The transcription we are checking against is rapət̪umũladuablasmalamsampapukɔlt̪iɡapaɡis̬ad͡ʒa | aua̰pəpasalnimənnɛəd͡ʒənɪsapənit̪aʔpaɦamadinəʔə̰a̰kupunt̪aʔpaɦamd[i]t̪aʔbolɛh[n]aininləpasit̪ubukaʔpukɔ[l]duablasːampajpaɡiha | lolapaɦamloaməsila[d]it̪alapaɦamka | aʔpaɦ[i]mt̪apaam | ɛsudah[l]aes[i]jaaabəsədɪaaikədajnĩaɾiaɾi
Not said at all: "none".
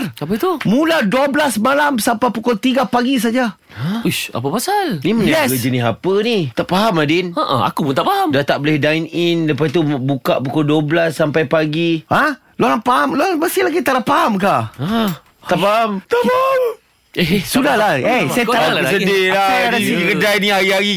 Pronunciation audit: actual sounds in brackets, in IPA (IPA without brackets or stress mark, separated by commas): a, d, l, ɡ, a, l, a